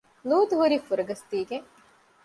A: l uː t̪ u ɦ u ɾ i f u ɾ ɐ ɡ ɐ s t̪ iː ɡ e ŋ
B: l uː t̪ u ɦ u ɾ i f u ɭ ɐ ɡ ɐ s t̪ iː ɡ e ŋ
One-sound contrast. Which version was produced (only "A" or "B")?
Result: A